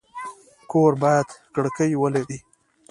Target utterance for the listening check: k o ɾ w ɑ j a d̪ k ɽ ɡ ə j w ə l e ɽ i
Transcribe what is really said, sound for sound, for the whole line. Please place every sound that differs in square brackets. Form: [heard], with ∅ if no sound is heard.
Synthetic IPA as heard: k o ɾ [b] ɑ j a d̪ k ɽ [k] ə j w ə l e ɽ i